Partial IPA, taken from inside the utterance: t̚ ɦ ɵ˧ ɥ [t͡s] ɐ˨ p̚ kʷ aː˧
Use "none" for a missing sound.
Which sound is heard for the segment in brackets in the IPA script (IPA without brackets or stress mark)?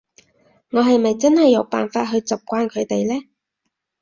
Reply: t͡s